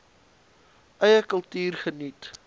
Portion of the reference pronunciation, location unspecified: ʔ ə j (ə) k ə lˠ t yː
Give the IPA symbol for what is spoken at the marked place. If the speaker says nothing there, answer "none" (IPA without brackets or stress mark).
ə